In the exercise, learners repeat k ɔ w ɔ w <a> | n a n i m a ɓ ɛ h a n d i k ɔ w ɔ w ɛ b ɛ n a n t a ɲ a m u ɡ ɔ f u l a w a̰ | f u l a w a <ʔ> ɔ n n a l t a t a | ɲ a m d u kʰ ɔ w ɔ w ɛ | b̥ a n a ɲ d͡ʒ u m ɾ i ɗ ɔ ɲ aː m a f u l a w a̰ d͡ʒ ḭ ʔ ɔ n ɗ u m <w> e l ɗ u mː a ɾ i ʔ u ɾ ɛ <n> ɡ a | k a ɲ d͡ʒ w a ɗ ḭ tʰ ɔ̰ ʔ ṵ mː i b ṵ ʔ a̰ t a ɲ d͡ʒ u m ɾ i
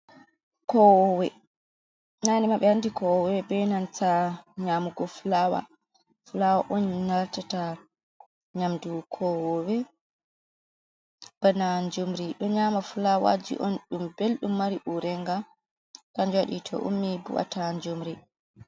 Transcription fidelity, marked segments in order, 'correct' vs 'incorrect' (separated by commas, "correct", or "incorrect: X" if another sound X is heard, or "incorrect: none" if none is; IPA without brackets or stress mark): incorrect: ɛ, correct, incorrect: b, incorrect: ŋ